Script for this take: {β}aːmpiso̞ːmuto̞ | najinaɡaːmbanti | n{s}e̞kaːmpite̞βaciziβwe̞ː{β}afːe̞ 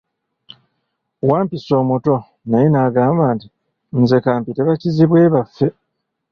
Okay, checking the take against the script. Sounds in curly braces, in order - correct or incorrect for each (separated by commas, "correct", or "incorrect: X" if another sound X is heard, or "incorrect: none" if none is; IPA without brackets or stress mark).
incorrect: w, incorrect: z, correct